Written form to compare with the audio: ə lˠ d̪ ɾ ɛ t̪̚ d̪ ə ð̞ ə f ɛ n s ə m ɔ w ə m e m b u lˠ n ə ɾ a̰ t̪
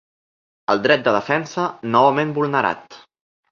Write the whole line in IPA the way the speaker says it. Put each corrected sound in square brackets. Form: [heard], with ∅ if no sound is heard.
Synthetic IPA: ə lˠ d̪ ɾ ɛ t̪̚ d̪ ə ð̞ ə f ɛ n s ə [n] ɔ [β] ə m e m b u lˠ n ə ɾ a̰ t̪